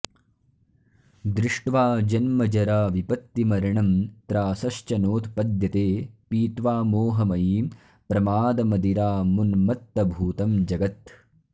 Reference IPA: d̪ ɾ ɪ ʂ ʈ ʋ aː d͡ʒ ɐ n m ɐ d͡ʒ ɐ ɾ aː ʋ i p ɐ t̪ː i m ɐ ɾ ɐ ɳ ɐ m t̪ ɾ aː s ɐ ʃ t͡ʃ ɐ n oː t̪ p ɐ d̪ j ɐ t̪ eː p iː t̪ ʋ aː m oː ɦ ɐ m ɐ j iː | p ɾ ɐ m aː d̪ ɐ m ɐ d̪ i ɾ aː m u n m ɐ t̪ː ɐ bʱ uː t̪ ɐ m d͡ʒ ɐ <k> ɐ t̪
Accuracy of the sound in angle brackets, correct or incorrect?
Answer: incorrect